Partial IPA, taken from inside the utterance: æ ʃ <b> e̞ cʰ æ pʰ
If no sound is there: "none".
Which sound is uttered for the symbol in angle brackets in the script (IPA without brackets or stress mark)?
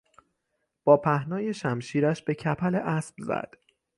b